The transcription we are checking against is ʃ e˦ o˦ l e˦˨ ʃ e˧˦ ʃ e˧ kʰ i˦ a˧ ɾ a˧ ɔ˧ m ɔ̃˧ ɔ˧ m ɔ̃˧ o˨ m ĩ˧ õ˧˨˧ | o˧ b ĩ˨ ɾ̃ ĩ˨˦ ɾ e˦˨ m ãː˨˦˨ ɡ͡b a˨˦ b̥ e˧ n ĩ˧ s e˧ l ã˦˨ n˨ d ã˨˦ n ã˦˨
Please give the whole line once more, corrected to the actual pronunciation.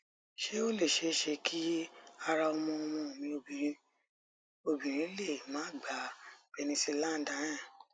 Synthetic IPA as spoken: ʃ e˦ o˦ l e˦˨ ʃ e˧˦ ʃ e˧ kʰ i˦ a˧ ɾ a˧ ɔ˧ m ɔ̃˧ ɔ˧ m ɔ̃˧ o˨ m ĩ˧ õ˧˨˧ | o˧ b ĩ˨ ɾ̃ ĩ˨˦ l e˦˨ m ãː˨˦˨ ɡ͡b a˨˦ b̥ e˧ n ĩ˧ s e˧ l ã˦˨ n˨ d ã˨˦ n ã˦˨